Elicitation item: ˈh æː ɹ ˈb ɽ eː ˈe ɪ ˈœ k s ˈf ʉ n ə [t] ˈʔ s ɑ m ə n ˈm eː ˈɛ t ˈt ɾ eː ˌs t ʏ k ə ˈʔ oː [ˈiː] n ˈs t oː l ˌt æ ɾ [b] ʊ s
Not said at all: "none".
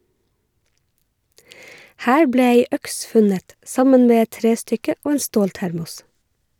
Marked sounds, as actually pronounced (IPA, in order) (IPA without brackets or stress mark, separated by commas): t, eː, m